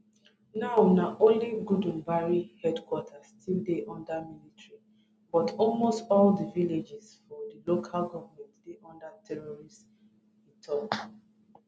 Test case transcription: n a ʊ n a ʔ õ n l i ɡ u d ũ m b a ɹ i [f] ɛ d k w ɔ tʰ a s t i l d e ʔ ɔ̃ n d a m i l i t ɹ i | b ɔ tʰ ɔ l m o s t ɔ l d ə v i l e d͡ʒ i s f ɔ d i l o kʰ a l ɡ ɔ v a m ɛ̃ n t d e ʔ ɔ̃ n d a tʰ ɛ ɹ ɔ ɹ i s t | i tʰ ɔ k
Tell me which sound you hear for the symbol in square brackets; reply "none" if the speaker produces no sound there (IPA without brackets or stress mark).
h